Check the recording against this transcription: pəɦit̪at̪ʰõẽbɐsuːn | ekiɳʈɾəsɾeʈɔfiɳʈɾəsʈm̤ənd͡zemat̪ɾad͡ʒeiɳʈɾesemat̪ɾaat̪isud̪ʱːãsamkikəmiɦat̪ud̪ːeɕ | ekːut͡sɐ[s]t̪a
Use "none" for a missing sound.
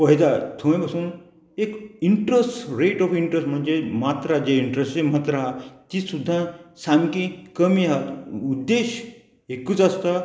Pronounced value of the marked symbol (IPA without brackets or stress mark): s